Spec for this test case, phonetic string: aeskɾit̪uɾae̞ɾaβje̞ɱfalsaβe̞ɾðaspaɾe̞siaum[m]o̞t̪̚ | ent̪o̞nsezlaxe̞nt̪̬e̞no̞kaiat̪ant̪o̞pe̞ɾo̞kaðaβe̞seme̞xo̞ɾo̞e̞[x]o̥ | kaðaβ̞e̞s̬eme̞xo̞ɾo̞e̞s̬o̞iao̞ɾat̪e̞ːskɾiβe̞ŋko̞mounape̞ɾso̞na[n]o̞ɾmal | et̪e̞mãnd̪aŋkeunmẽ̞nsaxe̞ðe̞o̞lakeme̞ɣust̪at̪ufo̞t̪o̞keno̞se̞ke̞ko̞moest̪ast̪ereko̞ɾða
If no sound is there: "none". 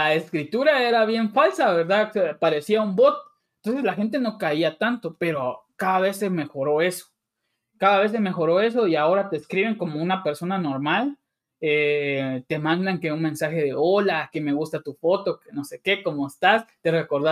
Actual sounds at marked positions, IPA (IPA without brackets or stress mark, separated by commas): b, s, n